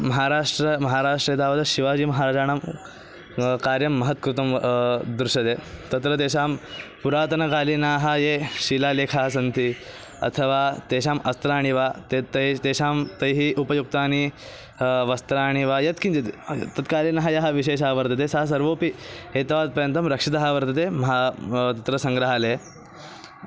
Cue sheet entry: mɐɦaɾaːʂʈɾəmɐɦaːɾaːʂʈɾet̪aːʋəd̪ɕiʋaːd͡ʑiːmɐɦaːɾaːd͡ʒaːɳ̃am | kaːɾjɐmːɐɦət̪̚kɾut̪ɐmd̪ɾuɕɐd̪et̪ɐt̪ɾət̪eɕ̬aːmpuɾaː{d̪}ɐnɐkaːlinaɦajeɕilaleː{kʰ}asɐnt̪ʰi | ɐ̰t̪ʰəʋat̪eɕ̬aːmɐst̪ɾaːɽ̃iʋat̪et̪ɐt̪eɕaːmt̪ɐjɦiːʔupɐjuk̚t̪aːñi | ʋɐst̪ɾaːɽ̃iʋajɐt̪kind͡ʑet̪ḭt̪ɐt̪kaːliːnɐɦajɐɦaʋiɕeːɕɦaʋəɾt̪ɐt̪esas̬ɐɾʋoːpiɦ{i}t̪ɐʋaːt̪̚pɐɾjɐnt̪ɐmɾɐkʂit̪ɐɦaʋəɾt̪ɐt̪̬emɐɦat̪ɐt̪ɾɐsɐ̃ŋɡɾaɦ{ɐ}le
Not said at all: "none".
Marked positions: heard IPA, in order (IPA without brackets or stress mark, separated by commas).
t̪, kʰ, e, a